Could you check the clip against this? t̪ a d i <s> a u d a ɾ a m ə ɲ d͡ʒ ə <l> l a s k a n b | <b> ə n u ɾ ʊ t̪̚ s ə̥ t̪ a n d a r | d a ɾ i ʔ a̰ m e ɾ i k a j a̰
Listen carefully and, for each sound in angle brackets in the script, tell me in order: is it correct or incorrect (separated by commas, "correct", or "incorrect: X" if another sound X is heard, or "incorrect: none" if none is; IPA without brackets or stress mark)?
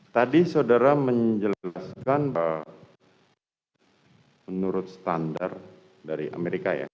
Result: correct, correct, incorrect: m